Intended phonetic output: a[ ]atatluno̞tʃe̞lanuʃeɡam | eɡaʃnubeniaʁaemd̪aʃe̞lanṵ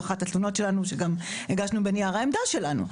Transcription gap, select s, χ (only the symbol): χ